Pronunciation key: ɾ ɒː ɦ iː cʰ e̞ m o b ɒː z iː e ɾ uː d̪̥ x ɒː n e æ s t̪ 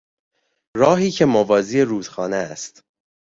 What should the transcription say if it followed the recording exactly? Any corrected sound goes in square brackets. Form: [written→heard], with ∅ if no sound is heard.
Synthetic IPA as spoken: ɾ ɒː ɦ iː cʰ e̞ m o [b→v] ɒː z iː e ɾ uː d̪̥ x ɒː n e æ s t̪